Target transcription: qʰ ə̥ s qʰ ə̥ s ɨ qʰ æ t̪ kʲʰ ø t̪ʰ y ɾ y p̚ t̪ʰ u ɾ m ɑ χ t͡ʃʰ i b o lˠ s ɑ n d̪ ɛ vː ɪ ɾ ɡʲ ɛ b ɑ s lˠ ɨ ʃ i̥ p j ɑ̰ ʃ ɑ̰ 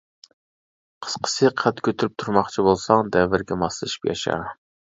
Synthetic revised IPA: qʰ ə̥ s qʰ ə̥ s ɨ qʰ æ t̪ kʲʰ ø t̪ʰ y ɾ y p̚ t̪ʰ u ɾ m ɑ χ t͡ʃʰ i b o lˠ s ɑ ŋ d̪ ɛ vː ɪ ɾ ɡʲ ɛ m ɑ s lˠ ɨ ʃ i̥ p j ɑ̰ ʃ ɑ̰